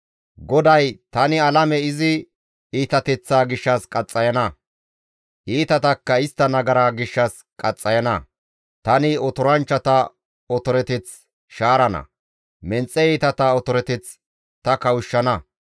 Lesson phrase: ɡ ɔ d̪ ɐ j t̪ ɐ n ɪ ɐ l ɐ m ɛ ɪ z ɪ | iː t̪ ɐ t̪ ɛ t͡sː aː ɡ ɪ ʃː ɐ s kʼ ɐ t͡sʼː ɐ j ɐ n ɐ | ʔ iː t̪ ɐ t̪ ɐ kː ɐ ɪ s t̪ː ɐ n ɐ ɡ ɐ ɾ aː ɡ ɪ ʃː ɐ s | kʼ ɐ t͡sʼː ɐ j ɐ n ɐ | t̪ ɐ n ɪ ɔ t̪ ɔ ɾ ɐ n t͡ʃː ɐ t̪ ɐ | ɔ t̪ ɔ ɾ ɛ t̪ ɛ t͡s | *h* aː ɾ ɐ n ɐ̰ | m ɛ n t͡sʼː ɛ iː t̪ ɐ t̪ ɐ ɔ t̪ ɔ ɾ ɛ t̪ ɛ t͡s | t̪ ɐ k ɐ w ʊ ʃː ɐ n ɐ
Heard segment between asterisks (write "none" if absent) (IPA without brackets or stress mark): ʃ